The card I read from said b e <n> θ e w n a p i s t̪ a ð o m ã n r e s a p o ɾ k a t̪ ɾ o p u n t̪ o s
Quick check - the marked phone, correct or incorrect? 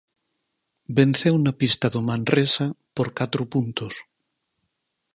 correct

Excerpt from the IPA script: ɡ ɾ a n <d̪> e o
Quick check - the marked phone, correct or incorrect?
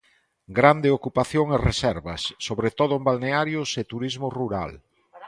correct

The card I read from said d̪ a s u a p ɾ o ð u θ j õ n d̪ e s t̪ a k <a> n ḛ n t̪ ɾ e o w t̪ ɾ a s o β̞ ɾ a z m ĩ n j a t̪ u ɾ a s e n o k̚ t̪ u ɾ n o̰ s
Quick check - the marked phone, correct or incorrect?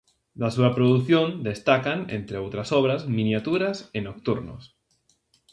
correct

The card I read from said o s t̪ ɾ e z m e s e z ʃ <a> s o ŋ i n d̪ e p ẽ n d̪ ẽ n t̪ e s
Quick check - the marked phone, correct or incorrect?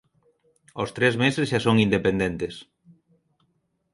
correct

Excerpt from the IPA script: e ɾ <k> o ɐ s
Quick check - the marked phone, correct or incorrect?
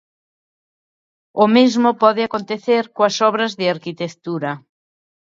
correct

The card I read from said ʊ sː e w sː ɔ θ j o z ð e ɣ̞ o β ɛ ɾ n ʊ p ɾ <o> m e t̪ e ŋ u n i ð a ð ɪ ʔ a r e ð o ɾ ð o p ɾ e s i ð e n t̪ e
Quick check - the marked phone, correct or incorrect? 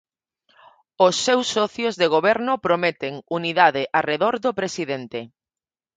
correct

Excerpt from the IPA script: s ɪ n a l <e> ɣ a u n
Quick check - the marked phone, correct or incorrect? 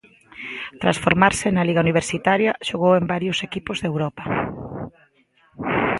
incorrect: i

